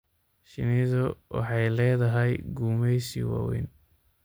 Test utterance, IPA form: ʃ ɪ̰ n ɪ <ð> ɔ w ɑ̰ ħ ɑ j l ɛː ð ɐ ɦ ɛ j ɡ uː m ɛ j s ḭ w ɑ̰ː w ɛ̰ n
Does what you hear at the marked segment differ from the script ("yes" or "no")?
no